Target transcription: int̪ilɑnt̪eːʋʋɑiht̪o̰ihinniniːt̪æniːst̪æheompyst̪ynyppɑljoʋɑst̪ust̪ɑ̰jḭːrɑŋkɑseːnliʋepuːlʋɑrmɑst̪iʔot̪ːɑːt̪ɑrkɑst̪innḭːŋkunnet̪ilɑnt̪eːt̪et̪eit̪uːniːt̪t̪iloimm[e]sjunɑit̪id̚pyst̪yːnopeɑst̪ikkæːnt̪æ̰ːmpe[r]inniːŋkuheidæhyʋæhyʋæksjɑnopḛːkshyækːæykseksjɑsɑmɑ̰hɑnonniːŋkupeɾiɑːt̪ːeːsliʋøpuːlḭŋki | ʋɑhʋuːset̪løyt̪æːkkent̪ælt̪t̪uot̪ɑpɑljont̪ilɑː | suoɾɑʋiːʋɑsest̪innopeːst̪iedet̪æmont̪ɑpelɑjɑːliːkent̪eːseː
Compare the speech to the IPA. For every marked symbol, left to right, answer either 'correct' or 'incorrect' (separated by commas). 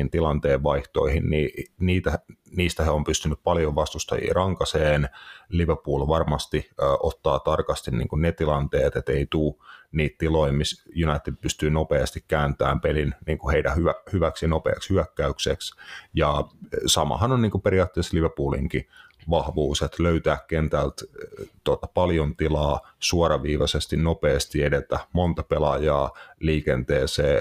incorrect, incorrect